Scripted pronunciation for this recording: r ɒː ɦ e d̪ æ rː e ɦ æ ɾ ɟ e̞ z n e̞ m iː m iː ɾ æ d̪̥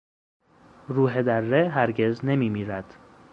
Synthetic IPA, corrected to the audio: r uː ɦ e d̪ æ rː e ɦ æ ɾ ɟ e̞ z n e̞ m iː m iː ɾ æ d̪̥